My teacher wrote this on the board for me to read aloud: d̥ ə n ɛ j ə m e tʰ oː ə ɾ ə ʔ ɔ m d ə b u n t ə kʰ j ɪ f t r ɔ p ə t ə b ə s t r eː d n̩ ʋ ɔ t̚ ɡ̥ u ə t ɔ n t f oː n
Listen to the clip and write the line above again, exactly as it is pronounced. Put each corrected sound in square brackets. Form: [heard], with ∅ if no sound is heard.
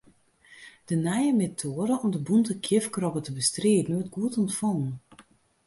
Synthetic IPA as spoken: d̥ ə n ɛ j ə m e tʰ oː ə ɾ ə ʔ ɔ m d ə b u n t ə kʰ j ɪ f [k] r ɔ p ə t ə b ə s t r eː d n̩ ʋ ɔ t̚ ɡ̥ u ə t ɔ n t f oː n